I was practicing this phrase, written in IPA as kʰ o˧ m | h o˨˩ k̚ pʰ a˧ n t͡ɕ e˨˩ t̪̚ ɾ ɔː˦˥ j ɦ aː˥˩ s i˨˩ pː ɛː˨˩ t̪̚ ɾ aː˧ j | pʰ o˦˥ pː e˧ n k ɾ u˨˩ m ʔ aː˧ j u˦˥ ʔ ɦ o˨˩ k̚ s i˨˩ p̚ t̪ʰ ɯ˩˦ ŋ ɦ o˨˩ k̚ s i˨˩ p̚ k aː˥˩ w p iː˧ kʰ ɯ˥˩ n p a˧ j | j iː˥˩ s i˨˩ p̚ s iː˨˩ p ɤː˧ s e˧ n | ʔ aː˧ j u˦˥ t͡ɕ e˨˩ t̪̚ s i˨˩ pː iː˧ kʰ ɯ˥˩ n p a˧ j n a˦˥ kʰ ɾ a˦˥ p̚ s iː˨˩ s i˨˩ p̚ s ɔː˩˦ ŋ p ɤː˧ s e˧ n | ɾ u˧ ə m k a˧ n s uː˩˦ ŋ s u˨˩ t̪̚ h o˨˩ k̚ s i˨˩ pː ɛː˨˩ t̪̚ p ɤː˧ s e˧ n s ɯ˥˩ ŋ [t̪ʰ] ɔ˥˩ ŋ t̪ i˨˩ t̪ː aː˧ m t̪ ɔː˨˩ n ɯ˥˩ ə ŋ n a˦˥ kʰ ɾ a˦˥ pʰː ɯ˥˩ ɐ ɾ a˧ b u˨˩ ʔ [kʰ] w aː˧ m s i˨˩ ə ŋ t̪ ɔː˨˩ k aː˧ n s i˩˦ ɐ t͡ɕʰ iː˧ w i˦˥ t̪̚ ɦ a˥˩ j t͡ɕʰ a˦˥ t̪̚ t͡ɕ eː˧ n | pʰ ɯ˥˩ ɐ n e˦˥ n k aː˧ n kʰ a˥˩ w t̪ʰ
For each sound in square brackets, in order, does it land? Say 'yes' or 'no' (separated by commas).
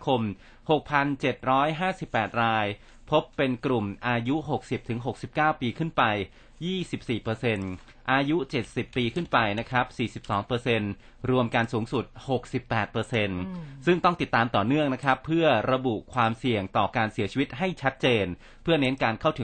no, yes